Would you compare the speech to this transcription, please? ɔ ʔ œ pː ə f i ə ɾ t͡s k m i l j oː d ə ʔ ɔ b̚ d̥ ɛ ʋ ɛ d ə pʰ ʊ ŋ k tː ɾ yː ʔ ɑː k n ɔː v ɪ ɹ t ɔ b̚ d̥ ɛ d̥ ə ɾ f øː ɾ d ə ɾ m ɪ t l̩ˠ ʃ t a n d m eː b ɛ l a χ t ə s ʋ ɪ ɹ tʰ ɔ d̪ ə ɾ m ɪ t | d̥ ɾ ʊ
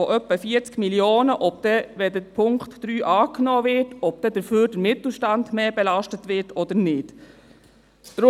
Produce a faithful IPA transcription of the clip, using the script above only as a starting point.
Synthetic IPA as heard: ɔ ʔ œ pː ə f i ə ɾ t͡s k m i l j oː n ə ʔ ɔ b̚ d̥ ɛ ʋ ɛ d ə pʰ ʊ ŋ k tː ɾ yː ʔ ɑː k n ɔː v ɪ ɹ t ɔ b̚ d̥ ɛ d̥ ə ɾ f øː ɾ d ə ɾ m ɪ t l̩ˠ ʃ t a n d m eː b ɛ l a ʃ t ə t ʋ ɪ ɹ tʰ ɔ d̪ ə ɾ n ɪ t | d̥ ɾ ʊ